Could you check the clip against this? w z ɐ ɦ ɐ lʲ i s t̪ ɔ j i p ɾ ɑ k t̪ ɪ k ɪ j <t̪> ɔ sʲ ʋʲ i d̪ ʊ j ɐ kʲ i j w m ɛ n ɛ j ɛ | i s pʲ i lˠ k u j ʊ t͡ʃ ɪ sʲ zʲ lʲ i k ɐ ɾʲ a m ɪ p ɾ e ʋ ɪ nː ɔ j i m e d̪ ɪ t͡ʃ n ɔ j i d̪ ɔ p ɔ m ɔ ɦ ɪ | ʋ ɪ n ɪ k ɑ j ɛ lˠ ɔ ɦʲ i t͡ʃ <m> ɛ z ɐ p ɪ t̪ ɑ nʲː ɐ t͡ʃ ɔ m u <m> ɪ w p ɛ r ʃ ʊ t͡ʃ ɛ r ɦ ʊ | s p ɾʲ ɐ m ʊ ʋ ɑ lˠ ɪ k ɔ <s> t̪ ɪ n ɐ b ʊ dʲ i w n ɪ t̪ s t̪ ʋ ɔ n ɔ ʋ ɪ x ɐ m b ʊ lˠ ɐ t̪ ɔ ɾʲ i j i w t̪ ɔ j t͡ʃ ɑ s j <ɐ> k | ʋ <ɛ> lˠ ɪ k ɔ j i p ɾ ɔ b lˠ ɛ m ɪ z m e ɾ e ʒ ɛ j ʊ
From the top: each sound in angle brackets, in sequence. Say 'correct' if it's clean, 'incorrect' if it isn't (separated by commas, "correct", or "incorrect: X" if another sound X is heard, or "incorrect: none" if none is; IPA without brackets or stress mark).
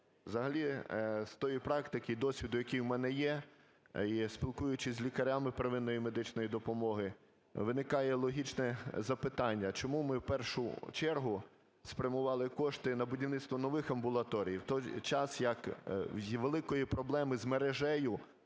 incorrect: d̪, incorrect: n, correct, incorrect: ʃ, correct, incorrect: e